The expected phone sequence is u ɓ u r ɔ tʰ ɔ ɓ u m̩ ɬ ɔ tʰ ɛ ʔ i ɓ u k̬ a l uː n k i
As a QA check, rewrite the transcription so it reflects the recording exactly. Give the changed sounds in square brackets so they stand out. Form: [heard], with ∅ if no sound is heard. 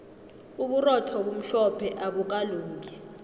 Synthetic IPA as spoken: u ɓ u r ɔ tʰ ɔ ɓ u m̩ ɬ ɔ [pʰ] ɛ ʔ [a] ɓ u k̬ a l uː [ŋ] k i